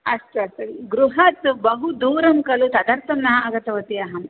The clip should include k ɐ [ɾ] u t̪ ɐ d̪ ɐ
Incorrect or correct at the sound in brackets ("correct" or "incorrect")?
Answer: incorrect